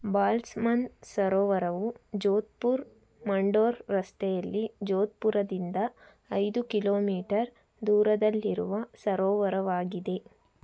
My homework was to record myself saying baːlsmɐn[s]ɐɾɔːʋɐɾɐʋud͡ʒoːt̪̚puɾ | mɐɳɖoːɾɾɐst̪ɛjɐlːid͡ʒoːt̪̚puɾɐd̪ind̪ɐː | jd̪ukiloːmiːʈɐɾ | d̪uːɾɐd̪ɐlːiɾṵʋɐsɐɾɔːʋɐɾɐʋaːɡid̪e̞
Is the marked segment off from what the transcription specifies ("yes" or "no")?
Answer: no